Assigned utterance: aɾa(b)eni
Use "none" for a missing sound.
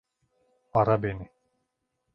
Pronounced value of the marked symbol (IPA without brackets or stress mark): b